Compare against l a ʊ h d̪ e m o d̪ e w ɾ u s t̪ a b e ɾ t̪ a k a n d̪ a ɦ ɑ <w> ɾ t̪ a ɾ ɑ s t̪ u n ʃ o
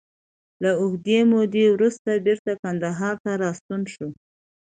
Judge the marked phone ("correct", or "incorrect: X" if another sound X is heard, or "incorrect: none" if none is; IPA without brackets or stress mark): incorrect: none